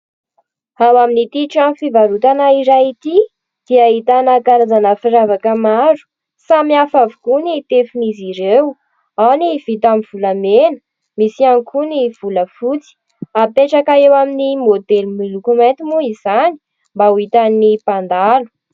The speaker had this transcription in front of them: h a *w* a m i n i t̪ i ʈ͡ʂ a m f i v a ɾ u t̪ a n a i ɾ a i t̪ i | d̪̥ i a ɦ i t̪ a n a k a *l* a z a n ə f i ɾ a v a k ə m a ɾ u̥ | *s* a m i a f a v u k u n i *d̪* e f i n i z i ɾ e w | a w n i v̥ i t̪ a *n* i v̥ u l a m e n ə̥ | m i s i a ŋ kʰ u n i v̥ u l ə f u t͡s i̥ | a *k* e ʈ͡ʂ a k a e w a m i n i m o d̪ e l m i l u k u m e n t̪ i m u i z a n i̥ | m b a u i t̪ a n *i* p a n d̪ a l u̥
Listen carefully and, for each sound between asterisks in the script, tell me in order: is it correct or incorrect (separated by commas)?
correct, incorrect, correct, incorrect, incorrect, incorrect, correct